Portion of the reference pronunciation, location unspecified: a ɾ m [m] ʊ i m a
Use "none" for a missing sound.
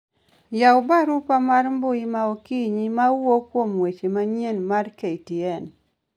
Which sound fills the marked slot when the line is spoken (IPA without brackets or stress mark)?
b